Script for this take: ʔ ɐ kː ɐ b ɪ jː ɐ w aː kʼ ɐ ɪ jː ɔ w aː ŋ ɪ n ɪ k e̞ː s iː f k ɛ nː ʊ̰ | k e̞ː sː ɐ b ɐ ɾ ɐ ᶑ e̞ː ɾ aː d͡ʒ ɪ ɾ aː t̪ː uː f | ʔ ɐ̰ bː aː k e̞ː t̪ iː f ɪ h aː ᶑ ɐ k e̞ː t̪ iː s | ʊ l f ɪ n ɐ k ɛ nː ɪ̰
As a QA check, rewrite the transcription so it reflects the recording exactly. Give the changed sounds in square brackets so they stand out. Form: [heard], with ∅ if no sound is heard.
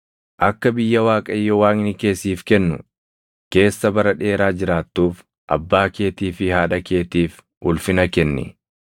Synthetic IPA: ʔ ɐ kː ɐ b ɪ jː ɐ w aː kʼ ɐ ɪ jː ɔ w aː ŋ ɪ n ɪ k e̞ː s iː f k ɛ nː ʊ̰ | k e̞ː sː ɐ b ɐ ɾ ɐ ᶑ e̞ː ɾ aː d͡ʒ ɪ ɾ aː t̪ː uː f | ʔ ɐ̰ bː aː k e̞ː t̪ iː f ɪ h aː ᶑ ɐ k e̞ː t̪ iː [f] | ʊ l f ɪ n ɐ k ɛ nː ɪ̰